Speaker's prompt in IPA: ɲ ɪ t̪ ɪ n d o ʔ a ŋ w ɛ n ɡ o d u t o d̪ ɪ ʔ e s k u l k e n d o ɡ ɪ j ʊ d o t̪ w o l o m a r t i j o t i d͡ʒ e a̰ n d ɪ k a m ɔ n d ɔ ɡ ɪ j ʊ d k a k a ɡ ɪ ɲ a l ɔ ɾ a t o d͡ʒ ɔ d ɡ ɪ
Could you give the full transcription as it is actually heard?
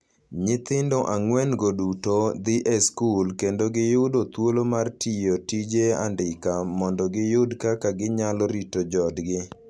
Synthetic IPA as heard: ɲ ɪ t̪ ɪ n d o ʔ a ŋ w ɛ n ɡ o d u t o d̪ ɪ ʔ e s k u l k e n d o ɡ ɪ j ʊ d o t̪ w o l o m a r t i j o t i d͡ʒ e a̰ n d ɪ k a m ɔ n d ɔ ɡ ɪ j ʊ d k a k a ɡ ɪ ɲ a l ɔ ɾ i t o d͡ʒ ɔ d ɡ ɪ